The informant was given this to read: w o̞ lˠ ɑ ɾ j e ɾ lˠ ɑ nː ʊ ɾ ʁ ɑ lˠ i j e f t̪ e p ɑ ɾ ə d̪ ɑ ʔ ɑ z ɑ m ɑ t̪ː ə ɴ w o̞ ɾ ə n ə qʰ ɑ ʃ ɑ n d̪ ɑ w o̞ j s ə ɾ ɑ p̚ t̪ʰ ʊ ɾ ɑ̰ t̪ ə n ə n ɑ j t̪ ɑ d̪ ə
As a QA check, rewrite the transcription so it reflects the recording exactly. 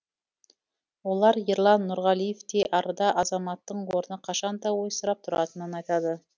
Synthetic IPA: w o̞ lˠ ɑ ɾ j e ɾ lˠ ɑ nː ʊ ɾ ʁ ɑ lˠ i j e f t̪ e ʔ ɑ ɾ ə d̪ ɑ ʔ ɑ z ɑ m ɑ t̪ː ə ɴ w o̞ ɾ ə n ə qʰ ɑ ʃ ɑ n d̪ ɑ w o̞ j s ə ɾ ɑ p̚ t̪ʰ ʊ ɾ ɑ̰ t̪ ə n ə n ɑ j t̪ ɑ d̪ ə